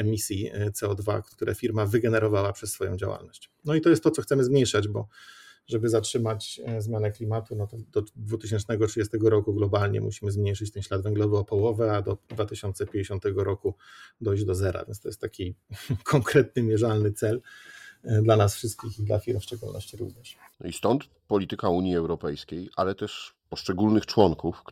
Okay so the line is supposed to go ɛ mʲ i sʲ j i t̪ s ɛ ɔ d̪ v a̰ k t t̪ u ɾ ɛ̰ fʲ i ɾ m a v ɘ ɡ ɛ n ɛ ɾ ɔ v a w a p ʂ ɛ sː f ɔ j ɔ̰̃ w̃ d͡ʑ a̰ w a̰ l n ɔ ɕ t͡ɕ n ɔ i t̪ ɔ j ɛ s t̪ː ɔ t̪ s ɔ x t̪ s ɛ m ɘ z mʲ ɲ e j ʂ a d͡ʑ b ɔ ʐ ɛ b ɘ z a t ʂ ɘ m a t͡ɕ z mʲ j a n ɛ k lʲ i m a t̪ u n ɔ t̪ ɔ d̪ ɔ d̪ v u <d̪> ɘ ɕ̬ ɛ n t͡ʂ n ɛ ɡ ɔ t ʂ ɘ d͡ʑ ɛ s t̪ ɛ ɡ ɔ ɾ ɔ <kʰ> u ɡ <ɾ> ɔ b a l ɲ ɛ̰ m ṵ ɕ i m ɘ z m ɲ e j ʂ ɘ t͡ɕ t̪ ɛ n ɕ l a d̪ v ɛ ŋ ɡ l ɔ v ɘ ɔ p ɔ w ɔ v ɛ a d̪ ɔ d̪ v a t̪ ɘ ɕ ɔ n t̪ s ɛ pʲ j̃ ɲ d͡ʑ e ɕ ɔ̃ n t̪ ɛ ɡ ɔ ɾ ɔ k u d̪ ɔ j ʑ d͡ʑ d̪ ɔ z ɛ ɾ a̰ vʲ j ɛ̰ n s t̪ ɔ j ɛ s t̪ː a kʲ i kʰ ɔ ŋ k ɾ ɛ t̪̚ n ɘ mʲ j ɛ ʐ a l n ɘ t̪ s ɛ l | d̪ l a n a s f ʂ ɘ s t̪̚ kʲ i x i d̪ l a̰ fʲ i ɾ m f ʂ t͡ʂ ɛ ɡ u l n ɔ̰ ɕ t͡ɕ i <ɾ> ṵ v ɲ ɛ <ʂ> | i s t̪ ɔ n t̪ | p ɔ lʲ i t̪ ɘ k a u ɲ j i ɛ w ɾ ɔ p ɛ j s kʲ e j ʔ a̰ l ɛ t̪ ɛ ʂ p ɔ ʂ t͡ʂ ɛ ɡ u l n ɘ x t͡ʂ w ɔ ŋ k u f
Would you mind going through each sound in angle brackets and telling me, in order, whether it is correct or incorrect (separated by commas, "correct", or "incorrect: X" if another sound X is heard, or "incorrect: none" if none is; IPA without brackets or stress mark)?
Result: incorrect: t̪, incorrect: k, incorrect: l, correct, correct